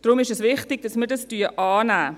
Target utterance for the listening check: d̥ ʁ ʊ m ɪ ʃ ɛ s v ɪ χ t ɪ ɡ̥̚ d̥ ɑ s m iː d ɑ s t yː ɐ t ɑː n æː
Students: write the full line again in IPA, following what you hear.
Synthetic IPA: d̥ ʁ ʊ m ɪ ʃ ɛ s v ɪ χ t ɪ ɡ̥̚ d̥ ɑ s m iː d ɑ s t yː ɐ ʔ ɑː n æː